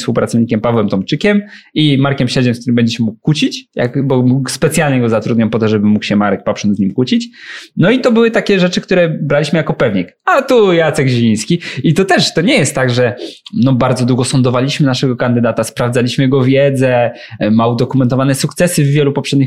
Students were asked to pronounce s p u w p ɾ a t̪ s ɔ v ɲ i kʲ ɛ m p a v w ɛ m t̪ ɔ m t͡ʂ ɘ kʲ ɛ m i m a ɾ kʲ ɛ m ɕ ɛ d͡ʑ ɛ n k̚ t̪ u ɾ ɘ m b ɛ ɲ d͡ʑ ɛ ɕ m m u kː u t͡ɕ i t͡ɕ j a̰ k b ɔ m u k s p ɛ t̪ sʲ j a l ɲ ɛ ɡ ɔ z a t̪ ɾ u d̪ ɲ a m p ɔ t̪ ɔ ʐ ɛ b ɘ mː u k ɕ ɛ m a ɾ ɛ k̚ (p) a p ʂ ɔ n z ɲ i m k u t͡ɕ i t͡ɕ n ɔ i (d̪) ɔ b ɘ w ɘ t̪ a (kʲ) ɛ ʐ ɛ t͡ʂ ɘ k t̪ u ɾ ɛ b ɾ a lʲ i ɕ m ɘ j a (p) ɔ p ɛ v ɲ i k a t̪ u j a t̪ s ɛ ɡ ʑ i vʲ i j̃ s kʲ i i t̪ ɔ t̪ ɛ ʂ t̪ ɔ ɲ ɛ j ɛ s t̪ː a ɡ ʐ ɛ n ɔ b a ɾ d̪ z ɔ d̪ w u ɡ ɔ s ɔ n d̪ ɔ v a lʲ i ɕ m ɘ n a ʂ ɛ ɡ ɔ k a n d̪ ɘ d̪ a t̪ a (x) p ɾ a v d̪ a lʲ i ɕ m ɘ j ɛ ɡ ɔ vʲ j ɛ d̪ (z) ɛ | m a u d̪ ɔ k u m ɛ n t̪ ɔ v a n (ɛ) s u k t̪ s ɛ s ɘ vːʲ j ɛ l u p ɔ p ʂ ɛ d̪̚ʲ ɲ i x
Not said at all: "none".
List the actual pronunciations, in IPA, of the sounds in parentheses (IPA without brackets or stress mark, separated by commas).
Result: p, t̪, kʲ, k, s, z, ɛ